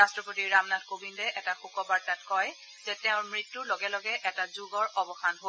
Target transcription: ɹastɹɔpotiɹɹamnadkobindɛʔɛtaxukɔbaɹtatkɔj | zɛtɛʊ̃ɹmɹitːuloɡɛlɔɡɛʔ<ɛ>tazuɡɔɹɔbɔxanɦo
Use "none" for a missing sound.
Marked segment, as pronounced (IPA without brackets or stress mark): ɛ